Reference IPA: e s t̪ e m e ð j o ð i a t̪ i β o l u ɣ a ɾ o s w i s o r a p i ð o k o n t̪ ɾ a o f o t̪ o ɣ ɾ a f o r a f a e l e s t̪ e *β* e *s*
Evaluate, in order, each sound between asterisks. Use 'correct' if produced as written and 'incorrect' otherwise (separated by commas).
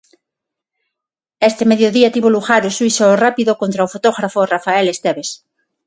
correct, correct